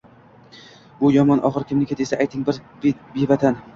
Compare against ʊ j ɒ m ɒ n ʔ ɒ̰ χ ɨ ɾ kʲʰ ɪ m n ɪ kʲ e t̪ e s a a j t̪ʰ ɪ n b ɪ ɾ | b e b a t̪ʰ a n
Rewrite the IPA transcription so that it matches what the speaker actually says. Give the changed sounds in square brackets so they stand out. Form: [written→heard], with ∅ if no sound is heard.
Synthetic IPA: ʊ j ɒ m ɒ n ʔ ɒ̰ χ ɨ ɾ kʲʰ ɪ m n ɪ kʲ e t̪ e s a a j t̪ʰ ɪ [n→ŋ] b ɪ ɾ | b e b a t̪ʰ a n